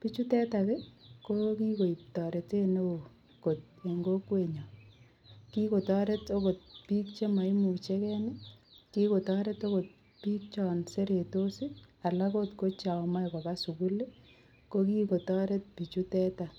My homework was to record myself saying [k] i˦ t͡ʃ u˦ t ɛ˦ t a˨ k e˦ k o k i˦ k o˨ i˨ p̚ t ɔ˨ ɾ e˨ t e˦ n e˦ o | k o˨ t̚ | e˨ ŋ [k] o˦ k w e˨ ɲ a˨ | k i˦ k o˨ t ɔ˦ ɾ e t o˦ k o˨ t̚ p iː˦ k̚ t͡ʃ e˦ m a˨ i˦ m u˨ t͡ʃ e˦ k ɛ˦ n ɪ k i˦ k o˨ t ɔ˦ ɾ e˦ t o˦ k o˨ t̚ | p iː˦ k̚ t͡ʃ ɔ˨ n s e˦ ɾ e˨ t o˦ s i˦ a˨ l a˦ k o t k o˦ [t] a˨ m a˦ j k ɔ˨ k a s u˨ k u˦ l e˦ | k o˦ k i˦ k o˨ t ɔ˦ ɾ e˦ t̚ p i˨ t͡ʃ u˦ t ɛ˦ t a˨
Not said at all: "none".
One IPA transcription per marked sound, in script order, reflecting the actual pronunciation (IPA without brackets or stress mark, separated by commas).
p, ɡ, t͡ʃ